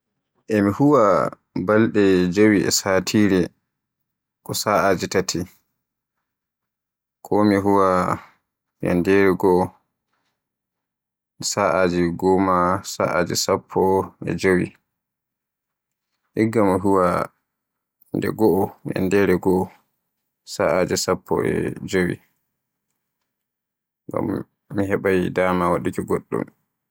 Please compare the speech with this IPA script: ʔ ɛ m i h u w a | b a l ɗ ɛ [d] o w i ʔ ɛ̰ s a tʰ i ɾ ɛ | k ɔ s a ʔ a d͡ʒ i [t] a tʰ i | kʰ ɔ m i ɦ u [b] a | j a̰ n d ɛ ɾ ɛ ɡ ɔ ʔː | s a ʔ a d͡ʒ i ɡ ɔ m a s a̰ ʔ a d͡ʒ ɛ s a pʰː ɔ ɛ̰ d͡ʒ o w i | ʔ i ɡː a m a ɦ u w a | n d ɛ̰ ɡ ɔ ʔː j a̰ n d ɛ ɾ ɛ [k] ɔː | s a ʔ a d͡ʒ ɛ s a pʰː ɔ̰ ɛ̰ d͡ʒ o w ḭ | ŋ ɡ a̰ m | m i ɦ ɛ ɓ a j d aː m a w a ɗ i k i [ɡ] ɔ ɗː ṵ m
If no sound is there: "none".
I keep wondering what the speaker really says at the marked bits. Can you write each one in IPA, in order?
d͡ʒ, t, w, ɡ, ɡ

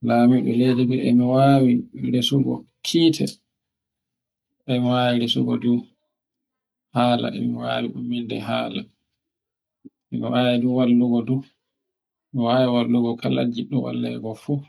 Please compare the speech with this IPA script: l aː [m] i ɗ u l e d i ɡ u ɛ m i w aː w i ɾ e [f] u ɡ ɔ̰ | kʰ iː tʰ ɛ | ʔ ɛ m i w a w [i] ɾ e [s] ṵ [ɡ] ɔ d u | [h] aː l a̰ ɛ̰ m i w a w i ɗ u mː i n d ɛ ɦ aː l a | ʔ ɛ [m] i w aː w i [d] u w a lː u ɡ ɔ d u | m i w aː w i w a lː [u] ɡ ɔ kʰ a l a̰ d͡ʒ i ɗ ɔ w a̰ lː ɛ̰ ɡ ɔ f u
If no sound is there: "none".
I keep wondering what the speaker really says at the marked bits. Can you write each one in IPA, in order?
m, s, i, s, ɡ, h, m, d, u

